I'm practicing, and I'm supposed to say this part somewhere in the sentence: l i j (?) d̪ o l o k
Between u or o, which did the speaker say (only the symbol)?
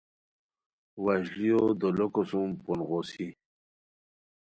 o